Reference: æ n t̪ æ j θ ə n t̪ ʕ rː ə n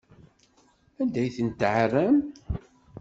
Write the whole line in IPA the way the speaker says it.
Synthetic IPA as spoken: æ n d̪ æ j θ ə n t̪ ʕ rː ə m